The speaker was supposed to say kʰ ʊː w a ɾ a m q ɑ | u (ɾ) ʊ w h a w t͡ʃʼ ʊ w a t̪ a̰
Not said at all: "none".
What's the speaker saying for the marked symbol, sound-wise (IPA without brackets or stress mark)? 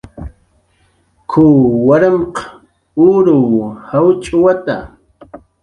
ɾ